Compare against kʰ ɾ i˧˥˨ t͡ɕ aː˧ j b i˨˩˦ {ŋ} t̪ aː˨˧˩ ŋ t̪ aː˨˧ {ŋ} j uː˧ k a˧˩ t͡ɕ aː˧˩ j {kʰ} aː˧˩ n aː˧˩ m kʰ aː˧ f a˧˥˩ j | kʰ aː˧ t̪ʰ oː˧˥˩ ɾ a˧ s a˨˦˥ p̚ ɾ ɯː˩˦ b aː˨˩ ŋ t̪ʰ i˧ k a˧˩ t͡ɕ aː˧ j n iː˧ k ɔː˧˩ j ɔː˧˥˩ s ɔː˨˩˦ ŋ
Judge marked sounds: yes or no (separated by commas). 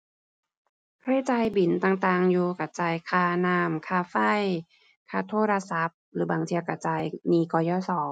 no, yes, yes